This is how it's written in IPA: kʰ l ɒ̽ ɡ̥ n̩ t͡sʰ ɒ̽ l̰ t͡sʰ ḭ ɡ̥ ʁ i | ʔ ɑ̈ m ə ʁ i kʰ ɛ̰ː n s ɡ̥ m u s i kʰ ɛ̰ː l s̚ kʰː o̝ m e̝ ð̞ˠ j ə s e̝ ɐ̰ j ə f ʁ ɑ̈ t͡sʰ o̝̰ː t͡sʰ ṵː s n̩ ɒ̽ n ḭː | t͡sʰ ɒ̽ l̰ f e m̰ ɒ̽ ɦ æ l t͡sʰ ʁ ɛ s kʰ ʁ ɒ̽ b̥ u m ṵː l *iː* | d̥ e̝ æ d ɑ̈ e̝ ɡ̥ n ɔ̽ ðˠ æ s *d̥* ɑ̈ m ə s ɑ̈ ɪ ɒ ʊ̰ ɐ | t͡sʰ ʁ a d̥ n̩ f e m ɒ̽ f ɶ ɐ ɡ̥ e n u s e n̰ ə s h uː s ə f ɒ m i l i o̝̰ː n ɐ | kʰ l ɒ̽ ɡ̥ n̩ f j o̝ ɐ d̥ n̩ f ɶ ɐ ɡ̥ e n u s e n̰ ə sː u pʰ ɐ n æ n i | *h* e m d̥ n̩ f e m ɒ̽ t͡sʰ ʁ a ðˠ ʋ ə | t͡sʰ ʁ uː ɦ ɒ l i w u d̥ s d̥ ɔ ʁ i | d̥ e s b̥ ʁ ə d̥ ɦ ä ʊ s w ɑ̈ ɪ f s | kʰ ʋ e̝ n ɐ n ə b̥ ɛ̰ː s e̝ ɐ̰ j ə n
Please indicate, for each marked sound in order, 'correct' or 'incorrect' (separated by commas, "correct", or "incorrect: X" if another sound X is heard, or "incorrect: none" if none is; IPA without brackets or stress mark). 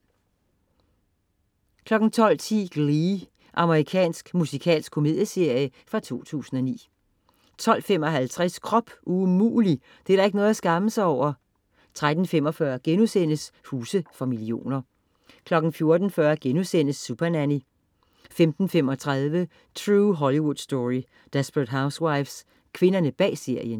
incorrect: i, incorrect: ɡ̥, incorrect: f